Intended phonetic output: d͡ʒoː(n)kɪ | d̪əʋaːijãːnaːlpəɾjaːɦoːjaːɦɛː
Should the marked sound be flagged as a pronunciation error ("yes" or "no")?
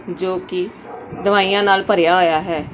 yes